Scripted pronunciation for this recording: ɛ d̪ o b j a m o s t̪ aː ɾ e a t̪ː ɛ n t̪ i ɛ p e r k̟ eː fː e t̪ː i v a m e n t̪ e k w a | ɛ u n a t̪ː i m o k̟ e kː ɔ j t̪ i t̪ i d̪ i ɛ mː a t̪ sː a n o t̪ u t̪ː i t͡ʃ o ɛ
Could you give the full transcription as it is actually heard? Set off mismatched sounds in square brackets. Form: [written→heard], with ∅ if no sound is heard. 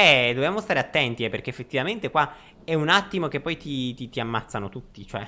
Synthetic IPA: ɛ d̪ o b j a m o s t̪ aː ɾ e a t̪ː ɛ n t̪ i ɛ p e r k̟ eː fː e t̪ː i v a m e n t̪ e k w a | ɛ u n a t̪ː i m o k̟ e [kː→pː] ɔ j t̪ i t̪ i [d̪→t̪] i [ɛ→a] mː a t̪ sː a n o t̪ u t̪ː i t͡ʃ o ɛ

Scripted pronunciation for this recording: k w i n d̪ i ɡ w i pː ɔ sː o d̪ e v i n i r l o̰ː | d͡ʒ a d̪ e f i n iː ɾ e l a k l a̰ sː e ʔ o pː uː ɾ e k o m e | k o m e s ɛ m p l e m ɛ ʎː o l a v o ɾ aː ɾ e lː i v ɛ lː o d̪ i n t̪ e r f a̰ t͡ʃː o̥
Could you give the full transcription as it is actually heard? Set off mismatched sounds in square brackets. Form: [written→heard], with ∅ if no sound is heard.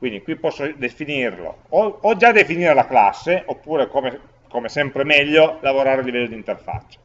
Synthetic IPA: k w i n d̪ i [ɡ→k] w i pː ɔ sː o d̪ e [v→f] i n i r l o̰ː | d͡ʒ a d̪ e f i n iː ɾ e l a k l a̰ sː e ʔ o pː uː ɾ e k o m e | k o m e s ɛ m p [l→ɾ] e m ɛ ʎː o l a v o ɾ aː ɾ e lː i v ɛ lː o d̪ i n t̪ e r f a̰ t͡ʃː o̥

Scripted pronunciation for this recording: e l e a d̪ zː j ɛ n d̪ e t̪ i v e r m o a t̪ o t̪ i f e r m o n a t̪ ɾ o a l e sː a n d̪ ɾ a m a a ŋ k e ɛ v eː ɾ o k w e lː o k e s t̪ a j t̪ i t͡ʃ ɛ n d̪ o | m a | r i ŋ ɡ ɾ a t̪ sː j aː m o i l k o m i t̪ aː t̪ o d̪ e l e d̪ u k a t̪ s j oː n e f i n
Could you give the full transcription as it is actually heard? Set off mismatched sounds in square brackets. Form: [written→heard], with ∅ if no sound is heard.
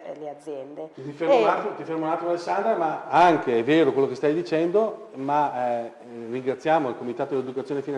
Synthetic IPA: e l e a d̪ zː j ɛ n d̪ e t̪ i [v→f] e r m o a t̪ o t̪ i f e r m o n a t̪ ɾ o a l e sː a n d̪ ɾ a m a a ŋ k e ɛ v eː ɾ o k w e lː o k e s t̪ a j [t̪→d̪] i t͡ʃ ɛ n d̪ o | m a | r i ŋ ɡ ɾ a t̪ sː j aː m o i l k o m i t̪ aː t̪ o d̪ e l e d̪ u k a t̪ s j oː n e f i n

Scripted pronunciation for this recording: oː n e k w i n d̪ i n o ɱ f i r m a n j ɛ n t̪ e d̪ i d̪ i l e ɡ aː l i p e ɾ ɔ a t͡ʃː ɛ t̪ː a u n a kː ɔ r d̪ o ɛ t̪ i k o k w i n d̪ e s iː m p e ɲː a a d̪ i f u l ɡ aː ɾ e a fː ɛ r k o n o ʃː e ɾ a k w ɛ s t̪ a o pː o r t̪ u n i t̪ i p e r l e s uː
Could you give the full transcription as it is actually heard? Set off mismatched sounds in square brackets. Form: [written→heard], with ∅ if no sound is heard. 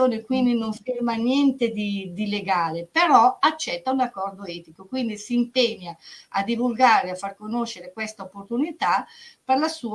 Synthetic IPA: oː n e k w i n d̪ i n o ɱ f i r m a n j ɛ n t̪ e d̪ i d̪ i l e ɡ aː l [i→e] p e ɾ ɔ a t͡ʃː ɛ t̪ː a u n a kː ɔ r d̪ o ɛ t̪ i k o k w i n d̪ [e→i] s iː m p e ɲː a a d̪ i [f→v] u l ɡ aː ɾ e a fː [ɛ→a] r k o n o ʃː e ɾ [a→e] k w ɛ s t̪ a o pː o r t̪ u n i t̪ [i→a] p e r l [e→a] s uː

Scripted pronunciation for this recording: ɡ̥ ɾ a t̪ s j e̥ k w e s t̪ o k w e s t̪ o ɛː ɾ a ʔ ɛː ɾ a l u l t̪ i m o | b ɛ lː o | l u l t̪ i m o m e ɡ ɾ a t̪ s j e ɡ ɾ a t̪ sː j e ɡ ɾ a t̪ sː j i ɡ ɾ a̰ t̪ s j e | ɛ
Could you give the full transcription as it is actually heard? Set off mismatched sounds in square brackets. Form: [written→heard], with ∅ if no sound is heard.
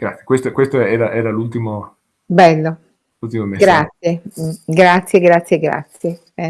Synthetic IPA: ɡ̥ ɾ a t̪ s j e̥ k w e s t̪ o k w e s t̪ o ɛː ɾ a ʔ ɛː ɾ a l u l t̪ i m o | b ɛ lː o | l u l t̪ i m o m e ɡ ɾ a t̪ s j e ɡ ɾ a t̪ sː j e ɡ ɾ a t̪ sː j [i→e] ɡ ɾ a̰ t̪ s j e | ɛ

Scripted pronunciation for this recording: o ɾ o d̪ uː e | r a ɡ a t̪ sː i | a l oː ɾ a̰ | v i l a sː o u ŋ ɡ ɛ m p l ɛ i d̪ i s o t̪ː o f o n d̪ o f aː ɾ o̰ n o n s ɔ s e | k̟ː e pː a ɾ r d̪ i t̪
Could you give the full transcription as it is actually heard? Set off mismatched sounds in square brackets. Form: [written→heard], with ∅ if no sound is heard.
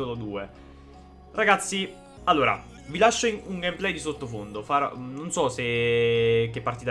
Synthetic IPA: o [ɾ→l] o d̪ uː e | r a ɡ a t̪ sː i | a [l→lː] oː ɾ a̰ | v i l a [sː→ʃː] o u ŋ ɡ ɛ m p l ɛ [i→j] d̪ i s o t̪ː o f o n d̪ o f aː ɾ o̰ n o n s ɔ s e | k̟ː e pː a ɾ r [d̪→t̪] i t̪

